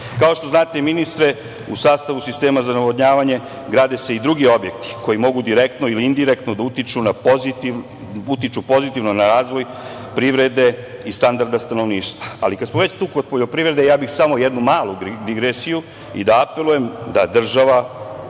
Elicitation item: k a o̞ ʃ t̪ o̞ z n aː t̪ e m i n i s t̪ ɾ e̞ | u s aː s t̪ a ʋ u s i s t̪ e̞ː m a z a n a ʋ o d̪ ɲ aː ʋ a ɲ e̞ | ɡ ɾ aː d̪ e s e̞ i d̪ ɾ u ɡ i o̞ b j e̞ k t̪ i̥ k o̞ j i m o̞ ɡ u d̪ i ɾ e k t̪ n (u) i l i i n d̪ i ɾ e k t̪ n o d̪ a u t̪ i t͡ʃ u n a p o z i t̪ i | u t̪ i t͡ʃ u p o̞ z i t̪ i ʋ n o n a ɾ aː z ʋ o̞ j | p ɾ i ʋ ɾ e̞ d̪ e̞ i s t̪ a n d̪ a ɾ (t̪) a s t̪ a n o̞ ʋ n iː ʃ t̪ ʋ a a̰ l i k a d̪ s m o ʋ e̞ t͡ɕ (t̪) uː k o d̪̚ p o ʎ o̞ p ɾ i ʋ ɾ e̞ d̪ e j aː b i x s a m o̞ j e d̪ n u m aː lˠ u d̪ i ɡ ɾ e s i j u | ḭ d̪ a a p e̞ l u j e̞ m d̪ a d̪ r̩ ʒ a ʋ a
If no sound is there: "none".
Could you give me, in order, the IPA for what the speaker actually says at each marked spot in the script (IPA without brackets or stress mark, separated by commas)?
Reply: o, d̪, t̪